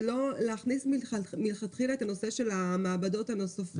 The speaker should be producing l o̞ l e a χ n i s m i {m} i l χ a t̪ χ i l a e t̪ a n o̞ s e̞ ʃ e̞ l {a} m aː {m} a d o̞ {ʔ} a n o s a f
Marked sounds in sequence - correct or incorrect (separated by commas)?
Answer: correct, correct, incorrect, incorrect